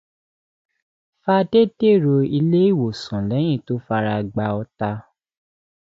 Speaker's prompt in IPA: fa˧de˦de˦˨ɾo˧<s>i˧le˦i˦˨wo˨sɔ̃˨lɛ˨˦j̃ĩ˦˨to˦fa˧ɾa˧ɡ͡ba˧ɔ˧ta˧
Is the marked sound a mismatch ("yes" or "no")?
yes